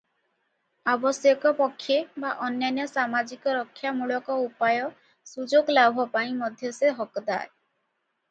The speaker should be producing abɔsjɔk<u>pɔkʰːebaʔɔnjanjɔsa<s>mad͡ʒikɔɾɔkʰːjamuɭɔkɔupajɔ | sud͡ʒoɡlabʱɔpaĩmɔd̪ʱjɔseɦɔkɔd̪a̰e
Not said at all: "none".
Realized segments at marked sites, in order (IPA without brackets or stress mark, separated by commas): ɔ, none